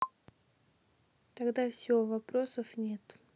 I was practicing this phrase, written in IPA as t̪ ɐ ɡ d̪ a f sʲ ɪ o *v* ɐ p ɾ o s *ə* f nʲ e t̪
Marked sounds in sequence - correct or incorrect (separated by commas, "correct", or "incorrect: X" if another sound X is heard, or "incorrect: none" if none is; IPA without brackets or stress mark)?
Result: correct, correct